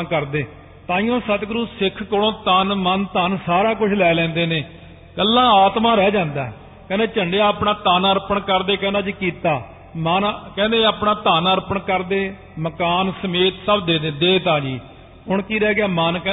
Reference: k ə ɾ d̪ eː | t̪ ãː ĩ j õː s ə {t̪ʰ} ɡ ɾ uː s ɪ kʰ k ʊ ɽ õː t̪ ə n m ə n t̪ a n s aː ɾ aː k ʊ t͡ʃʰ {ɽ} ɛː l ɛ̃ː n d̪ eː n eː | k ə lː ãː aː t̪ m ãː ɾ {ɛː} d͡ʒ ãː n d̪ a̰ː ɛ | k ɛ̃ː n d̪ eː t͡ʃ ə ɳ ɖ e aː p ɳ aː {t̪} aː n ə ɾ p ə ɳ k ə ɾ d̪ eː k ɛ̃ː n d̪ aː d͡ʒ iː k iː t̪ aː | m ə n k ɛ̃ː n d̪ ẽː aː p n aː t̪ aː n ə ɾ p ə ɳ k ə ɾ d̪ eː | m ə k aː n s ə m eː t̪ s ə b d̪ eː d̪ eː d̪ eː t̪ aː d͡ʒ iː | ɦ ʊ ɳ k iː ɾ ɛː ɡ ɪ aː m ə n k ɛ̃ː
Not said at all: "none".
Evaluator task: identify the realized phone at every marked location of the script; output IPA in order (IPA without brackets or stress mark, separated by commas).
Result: t̪, l, ɛː, t̪